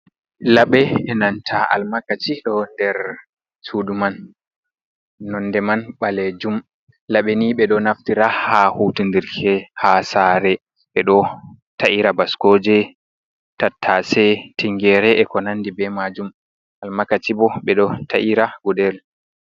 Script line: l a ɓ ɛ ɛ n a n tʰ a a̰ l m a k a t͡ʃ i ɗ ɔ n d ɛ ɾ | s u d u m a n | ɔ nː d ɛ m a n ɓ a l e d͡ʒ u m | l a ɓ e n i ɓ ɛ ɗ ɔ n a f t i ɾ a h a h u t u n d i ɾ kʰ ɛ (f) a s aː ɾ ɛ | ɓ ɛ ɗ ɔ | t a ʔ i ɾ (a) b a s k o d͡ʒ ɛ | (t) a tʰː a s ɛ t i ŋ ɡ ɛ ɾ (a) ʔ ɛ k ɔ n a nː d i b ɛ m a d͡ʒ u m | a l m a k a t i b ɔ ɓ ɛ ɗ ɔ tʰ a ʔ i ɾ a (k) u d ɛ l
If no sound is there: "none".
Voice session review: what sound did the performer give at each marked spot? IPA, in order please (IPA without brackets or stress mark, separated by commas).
h, a, t, ɛ, ɡ